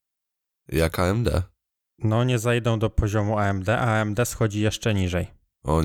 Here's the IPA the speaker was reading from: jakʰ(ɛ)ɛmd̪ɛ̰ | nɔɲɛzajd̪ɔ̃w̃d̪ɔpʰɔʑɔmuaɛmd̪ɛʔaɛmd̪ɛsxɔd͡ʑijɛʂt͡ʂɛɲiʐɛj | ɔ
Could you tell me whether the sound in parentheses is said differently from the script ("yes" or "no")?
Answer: yes